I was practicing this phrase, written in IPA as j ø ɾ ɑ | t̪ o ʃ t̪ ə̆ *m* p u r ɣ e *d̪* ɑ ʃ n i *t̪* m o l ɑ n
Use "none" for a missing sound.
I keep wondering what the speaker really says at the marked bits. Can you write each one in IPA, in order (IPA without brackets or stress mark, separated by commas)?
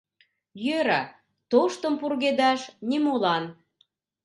m, d̪, none